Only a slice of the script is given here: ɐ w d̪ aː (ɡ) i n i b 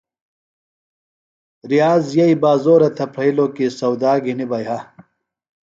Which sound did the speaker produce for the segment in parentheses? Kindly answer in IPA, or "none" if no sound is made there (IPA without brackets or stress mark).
ɡ